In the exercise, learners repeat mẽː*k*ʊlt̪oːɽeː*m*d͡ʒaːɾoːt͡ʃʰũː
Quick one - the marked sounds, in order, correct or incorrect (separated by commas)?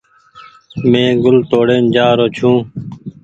incorrect, incorrect